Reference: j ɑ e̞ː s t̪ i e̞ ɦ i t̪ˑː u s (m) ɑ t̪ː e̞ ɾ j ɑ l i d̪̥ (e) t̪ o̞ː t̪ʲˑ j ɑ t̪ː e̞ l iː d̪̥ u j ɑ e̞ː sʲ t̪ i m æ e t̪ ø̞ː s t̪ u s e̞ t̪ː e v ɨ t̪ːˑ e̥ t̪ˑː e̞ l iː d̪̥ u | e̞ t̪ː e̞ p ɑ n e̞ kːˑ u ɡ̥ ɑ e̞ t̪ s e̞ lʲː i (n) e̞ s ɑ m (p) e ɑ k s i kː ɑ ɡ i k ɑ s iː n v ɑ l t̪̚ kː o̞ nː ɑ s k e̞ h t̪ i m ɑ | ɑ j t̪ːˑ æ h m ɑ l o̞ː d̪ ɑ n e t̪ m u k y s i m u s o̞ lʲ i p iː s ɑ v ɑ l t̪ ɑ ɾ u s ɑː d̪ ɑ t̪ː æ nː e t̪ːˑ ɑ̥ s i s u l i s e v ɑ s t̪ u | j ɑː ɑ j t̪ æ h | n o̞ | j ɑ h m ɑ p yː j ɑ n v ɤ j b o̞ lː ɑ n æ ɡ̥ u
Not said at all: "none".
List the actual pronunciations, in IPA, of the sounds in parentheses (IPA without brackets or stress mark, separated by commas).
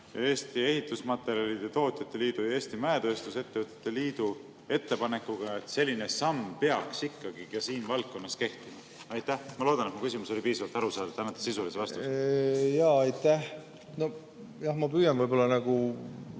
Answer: m, e, n, p